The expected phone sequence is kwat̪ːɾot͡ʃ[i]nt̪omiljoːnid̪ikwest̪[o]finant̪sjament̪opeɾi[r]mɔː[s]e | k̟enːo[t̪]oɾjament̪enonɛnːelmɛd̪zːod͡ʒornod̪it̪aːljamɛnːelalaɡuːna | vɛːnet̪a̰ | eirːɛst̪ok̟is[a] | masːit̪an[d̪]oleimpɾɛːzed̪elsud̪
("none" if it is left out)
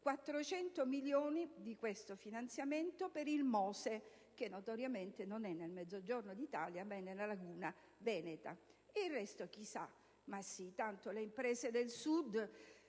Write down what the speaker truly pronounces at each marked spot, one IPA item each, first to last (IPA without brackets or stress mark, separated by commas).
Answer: ɛ, o, l, s, t̪, a, t̪